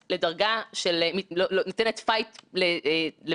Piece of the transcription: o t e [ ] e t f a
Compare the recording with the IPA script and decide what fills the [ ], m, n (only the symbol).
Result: n